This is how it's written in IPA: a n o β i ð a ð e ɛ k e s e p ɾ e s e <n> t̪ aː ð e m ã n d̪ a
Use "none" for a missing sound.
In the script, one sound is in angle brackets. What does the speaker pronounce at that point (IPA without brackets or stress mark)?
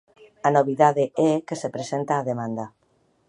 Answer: n